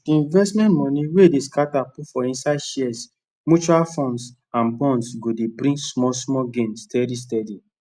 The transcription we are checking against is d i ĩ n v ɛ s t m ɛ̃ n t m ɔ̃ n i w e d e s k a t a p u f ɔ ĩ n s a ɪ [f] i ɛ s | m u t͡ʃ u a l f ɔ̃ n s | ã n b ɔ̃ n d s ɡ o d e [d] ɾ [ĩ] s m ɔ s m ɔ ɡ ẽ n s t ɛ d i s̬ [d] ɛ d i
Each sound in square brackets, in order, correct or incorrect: incorrect: ʃ, incorrect: b, correct, incorrect: t

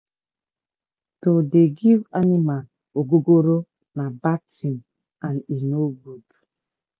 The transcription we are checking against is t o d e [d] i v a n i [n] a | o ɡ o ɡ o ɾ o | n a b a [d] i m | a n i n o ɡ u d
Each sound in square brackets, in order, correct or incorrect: incorrect: ɡ, incorrect: m, incorrect: t

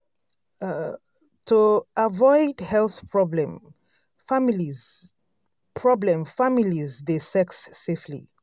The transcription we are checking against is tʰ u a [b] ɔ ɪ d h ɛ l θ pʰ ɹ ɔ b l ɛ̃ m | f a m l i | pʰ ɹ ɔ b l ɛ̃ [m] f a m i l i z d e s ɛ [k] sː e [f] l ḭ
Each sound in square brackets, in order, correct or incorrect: incorrect: v, correct, correct, correct

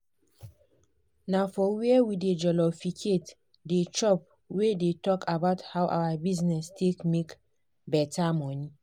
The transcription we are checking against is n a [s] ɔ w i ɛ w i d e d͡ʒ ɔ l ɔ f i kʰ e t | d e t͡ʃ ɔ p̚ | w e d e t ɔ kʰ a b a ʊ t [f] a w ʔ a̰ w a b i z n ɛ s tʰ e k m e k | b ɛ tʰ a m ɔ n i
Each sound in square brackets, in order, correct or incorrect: incorrect: f, incorrect: h

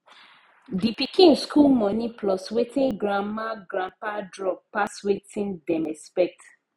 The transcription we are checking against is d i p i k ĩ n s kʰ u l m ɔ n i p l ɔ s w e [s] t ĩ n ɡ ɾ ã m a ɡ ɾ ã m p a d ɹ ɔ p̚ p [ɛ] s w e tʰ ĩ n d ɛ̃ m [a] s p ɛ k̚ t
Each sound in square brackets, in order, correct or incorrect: incorrect: none, incorrect: a, incorrect: ɛ

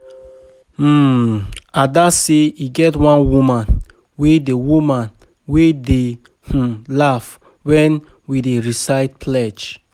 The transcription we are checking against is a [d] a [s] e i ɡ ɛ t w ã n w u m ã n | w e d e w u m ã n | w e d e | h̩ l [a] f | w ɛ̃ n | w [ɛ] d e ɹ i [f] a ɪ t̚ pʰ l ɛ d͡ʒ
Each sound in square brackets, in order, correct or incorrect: correct, correct, correct, incorrect: i, incorrect: s

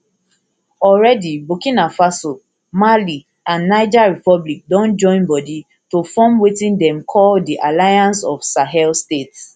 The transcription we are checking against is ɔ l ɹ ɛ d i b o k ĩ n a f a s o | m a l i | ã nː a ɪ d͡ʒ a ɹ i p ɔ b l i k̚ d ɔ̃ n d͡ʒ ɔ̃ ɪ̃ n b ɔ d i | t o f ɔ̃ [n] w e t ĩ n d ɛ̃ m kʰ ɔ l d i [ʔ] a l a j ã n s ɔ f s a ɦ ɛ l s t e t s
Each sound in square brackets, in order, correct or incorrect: incorrect: m, correct

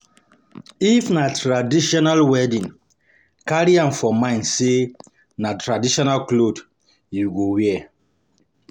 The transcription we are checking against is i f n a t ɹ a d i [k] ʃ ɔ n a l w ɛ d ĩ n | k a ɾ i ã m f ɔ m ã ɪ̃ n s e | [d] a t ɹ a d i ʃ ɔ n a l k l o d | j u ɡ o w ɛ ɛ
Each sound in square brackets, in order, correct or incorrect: incorrect: none, incorrect: n

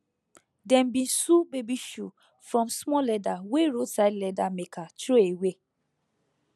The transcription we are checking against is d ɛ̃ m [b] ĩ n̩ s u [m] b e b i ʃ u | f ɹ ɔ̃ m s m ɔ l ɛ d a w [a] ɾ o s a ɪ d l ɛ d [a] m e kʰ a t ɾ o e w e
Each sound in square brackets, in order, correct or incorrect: correct, incorrect: none, incorrect: e, correct

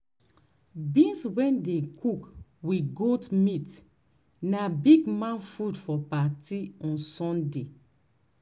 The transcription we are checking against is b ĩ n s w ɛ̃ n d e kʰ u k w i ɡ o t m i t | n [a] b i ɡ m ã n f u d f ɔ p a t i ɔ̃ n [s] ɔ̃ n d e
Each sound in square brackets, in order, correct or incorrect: correct, correct

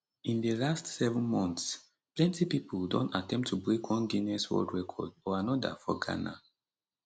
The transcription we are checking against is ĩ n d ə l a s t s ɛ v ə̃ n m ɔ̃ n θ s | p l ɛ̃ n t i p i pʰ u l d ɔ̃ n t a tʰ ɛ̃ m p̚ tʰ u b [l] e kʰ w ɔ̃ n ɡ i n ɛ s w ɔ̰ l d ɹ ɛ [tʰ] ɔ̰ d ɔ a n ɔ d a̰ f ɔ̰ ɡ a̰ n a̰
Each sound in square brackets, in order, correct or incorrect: incorrect: ɹ, incorrect: kʰ

